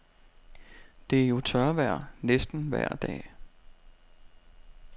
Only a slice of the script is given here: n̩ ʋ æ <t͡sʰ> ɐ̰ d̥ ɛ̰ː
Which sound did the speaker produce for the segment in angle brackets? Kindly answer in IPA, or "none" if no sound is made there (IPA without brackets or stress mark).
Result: none